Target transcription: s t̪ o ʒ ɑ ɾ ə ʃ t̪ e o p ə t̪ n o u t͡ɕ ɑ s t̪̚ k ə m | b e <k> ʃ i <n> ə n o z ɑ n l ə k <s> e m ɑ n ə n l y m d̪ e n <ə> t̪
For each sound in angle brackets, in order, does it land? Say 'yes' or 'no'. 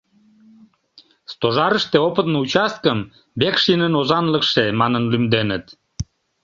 yes, yes, no, yes

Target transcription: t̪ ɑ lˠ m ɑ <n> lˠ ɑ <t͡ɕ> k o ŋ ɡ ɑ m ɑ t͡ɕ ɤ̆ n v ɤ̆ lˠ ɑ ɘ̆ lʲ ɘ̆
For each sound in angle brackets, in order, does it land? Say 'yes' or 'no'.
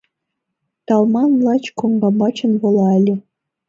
yes, yes

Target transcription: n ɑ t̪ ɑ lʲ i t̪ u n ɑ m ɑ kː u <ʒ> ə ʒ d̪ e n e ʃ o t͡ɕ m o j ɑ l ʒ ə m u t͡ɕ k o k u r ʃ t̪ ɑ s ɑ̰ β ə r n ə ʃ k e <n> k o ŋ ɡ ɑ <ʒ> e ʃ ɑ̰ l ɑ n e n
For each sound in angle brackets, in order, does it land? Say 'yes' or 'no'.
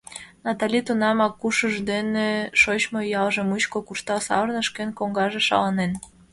no, yes, yes

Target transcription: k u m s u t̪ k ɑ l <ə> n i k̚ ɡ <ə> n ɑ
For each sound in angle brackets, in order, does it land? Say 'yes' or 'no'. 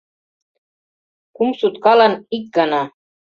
no, no

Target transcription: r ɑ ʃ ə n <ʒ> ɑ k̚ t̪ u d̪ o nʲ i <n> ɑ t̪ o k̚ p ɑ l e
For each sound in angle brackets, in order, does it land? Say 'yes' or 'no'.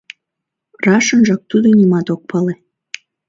yes, no

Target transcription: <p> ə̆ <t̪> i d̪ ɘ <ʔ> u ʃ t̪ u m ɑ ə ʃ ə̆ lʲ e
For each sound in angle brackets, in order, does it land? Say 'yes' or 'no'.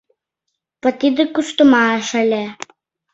yes, yes, no

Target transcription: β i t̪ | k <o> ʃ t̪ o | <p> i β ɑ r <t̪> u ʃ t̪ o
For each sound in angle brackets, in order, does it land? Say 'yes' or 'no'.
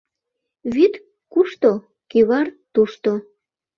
no, no, yes

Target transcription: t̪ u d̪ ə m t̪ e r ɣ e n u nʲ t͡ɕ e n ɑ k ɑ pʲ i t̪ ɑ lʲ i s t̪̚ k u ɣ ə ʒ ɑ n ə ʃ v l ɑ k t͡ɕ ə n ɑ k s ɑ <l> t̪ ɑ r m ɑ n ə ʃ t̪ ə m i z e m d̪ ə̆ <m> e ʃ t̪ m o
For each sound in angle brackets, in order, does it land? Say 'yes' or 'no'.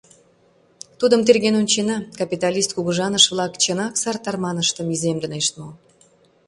no, no

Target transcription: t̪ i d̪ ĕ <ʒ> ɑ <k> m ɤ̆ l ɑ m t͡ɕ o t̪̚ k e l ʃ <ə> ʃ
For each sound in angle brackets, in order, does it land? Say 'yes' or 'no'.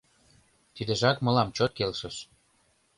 yes, yes, yes

